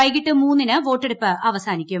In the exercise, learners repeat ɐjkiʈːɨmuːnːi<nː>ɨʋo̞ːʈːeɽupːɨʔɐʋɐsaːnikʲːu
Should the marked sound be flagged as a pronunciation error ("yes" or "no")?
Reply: yes